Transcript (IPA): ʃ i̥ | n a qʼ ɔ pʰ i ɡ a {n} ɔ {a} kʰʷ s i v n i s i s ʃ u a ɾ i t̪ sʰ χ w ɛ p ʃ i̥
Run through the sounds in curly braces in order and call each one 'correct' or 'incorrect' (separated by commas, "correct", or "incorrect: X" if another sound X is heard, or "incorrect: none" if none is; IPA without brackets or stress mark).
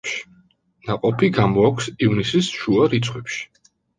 incorrect: m, correct